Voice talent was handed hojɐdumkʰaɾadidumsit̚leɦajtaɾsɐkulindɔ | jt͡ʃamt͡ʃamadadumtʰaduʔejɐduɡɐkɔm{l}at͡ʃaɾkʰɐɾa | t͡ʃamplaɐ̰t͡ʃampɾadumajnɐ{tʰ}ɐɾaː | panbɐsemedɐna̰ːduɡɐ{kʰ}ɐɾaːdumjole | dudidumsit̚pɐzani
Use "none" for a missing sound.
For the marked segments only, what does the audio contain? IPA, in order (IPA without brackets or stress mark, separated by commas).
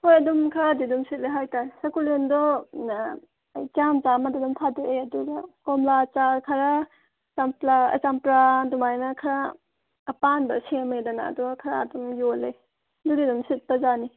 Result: l, kʰ, kʰ